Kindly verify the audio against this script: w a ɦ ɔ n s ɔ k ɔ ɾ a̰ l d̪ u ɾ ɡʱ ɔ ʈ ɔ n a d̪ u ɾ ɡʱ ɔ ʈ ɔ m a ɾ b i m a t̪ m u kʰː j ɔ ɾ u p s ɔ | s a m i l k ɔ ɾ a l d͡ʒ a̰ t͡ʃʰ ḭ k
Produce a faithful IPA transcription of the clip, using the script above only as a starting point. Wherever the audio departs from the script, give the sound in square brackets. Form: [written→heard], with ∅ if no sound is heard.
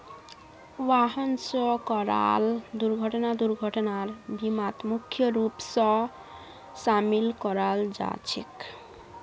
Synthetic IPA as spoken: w a ɦ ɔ n s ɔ k ɔ ɾ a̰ l d̪ u ɾ ɡʱ ɔ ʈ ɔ n a d̪ u ɾ ɡʱ ɔ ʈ ɔ [m→n] a ɾ b i m a t̪ m u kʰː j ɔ ɾ u p s ɔ | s a m i l k ɔ ɾ a l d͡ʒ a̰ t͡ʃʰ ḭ k